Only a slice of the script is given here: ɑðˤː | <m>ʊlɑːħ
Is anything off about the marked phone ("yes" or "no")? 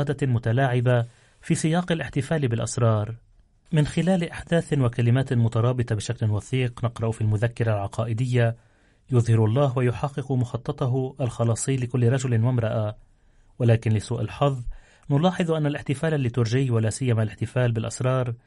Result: yes